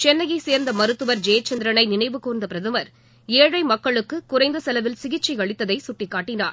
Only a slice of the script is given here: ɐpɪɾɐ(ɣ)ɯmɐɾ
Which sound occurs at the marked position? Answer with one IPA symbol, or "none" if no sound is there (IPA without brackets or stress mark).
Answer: ð